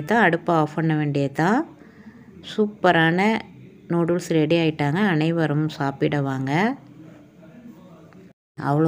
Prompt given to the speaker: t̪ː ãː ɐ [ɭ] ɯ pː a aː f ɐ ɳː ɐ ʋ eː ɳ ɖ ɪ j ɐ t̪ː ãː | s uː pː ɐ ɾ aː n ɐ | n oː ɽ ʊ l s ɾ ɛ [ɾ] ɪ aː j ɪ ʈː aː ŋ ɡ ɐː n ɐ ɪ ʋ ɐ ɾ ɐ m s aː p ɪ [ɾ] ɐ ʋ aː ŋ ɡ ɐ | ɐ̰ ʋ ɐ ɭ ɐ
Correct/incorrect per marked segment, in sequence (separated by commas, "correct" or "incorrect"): incorrect, incorrect, incorrect